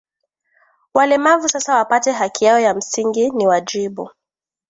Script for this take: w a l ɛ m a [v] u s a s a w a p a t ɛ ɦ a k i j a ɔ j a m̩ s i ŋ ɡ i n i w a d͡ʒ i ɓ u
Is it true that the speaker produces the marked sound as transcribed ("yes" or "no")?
yes